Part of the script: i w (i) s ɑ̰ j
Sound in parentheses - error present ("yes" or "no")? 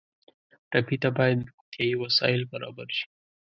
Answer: yes